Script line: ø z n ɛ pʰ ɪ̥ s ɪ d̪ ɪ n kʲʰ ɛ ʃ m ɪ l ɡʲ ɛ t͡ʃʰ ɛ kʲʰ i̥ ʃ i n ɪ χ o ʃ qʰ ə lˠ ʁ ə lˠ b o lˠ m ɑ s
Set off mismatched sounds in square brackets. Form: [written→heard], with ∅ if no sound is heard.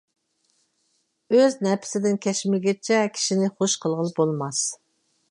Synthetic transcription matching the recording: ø z n ɛ pʰ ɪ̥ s ɪ d̪ ɪ n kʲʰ ɛ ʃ m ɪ l ɡʲ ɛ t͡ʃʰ ɛ kʲʰ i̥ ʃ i n ɪ χ o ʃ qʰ ə lˠ ʁ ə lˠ b o lˠ m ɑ s

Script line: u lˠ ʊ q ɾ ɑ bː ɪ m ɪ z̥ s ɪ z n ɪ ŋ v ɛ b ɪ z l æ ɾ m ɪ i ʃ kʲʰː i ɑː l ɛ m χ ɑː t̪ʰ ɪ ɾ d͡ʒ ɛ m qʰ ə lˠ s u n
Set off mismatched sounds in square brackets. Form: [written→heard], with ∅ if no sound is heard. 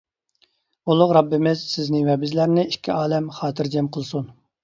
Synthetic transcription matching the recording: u lˠ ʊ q ɾ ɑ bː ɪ m ɪ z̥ s ɪ z n ɪ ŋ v ɛ b ɪ z l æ ɾ [m→n] ɪ i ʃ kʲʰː i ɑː l ɛ m χ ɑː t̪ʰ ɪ ɾ d͡ʒ ɛ m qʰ ə lˠ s u n

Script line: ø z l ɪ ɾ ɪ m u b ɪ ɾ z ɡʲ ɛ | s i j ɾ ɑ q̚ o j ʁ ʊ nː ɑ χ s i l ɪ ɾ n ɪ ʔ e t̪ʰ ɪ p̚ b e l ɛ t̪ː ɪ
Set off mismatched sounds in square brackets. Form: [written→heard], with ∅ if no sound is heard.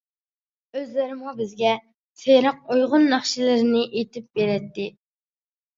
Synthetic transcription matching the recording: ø z l ɪ ɾ ɪ m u b ɪ [ɾ→∅] z ɡʲ ɛ | s [i→e] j ɾ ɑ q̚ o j ʁ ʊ nː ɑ χ [s→ʃ] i l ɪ ɾ n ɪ ʔ e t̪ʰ ɪ p̚ b e [l→ɾ] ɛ t̪ː ɪ

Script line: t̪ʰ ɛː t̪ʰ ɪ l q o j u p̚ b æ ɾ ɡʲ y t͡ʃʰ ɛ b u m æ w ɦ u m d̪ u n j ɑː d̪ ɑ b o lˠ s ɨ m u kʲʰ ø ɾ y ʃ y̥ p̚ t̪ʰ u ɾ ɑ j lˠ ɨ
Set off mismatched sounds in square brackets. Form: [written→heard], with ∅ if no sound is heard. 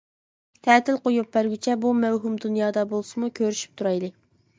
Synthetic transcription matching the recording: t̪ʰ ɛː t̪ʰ ɪ l q o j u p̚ b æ ɾ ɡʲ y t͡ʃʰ ɛ b u m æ w ɦ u m d̪ u n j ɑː d̪ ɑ b o lˠ s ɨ m u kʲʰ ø ɾ y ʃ y̥ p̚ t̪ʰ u ɾ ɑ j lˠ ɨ

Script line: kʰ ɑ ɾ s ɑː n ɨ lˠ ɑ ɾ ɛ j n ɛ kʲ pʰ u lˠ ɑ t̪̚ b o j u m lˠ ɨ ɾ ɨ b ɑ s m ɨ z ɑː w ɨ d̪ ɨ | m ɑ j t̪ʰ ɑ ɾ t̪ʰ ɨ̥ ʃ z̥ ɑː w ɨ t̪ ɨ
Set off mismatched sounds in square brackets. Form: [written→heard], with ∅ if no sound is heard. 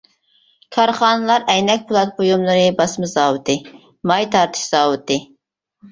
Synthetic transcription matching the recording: kʰ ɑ ɾ [s→χ] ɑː n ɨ lˠ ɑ ɾ ɛ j n ɛ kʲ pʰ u lˠ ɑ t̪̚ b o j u m lˠ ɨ ɾ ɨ b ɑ s m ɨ z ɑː w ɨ [d̪→t̪] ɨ | m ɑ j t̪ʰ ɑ ɾ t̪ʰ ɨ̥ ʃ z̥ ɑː w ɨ t̪ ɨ

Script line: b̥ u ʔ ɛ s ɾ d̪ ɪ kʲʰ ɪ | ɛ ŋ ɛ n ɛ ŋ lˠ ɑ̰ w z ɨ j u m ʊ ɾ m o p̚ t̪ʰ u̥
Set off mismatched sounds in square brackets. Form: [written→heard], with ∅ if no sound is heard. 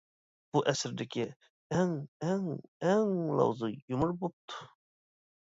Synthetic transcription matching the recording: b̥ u ʔ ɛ s ɾ d̪ ɪ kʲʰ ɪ | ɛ ŋ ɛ [n→ŋ] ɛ ŋ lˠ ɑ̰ w z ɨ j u m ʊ ɾ [m→b] o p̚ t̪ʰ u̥

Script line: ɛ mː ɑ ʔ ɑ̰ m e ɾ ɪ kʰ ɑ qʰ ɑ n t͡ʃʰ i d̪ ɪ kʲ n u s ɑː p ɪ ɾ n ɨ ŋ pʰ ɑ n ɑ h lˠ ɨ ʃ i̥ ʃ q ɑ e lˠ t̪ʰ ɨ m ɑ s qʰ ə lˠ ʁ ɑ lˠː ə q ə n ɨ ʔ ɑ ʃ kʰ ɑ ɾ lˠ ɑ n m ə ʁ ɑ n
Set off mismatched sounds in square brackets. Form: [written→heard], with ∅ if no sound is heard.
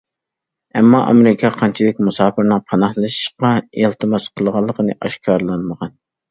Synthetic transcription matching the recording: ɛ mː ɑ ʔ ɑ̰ m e ɾ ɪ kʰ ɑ qʰ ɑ n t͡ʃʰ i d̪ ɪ kʲ [n→m] u s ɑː p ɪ ɾ n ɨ ŋ pʰ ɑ n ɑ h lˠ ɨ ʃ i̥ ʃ q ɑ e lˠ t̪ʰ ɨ m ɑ s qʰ ə lˠ ʁ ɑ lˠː ə q ə n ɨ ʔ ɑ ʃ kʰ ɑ ɾ lˠ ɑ n m ə ʁ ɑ n

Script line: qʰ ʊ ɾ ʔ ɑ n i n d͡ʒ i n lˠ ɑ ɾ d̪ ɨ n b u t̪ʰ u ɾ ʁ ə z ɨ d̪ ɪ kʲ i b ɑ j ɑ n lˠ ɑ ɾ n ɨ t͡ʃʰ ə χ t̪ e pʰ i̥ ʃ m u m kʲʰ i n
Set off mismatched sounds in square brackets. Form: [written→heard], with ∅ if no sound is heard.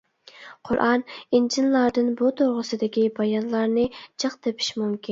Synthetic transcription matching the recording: qʰ ʊ ɾ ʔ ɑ n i n d͡ʒ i n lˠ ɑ ɾ d̪ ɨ n b u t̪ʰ [u→o] ɾ ʁ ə [z→s] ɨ d̪ ɪ kʲ i b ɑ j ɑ n lˠ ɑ ɾ n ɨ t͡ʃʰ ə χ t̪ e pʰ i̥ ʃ m u m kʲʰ i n

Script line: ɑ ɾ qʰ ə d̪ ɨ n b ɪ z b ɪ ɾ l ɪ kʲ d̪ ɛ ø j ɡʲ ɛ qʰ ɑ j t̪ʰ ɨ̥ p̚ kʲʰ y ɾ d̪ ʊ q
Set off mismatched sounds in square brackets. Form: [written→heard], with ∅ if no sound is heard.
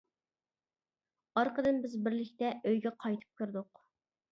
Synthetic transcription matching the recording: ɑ ɾ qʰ ə d̪ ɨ n b ɪ z b ɪ ɾ l ɪ kʲ [d̪→t̪] ɛ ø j ɡʲ ɛ qʰ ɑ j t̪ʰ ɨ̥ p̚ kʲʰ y ɾ d̪ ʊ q

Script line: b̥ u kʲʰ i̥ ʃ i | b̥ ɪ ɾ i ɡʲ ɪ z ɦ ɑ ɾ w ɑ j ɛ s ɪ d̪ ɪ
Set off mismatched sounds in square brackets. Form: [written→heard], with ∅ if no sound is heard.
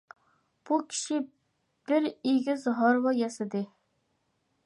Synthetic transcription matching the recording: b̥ u kʲʰ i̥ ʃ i | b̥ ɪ ɾ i ɡʲ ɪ z ɦ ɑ ɾ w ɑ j ɛ s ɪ d̪ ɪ

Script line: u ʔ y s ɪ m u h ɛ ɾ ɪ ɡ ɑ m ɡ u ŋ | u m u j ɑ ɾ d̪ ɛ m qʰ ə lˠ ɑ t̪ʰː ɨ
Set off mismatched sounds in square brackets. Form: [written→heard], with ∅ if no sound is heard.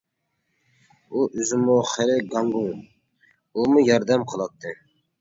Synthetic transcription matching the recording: u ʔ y [s→z] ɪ m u [h→χ] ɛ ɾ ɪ ɡ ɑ [m→ŋ] ɡ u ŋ | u m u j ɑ ɾ d̪ ɛ m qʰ ə lˠ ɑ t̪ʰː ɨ

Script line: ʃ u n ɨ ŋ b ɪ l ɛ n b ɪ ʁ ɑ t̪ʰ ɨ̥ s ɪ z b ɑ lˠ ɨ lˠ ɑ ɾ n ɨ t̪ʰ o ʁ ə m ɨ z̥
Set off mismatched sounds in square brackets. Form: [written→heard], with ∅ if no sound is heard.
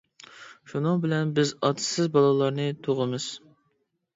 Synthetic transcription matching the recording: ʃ u n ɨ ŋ b ɪ l ɛ n b ɪ [ʁ→z] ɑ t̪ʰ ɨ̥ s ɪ z b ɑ lˠ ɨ lˠ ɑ ɾ n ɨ t̪ʰ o ʁ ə m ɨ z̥

